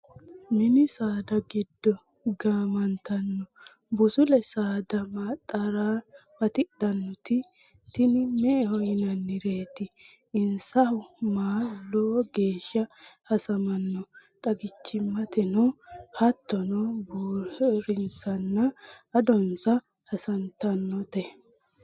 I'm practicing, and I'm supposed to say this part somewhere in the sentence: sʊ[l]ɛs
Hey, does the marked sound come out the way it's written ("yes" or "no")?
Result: yes